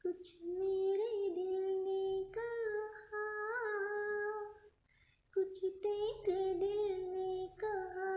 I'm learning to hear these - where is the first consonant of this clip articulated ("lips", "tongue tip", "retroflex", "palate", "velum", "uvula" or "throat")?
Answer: velum